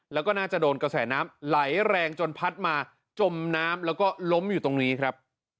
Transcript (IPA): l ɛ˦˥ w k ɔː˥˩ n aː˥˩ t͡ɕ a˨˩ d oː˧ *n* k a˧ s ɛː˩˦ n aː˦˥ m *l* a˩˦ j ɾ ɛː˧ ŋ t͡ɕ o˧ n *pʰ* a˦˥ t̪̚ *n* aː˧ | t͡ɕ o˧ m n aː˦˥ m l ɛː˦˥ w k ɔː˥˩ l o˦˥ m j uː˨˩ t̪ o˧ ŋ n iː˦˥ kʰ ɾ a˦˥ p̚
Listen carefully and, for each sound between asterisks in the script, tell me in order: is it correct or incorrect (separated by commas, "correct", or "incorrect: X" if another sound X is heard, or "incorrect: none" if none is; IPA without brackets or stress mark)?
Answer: correct, correct, correct, incorrect: m